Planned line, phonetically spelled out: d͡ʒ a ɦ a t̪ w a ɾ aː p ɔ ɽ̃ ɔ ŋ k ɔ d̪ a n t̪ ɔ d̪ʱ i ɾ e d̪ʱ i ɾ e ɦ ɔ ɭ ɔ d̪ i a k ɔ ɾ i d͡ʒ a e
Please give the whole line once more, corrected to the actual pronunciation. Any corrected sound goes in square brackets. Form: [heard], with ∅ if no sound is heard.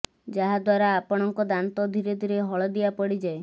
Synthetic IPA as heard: d͡ʒ a ɦ a [d̪] w a ɾ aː p ɔ ɽ̃ ɔ ŋ k ɔ d̪ a n t̪ ɔ d̪ʱ i ɾ e d̪ʱ i ɾ e ɦ ɔ ɭ ɔ d̪ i a [p] ɔ [ɽ] i d͡ʒ a e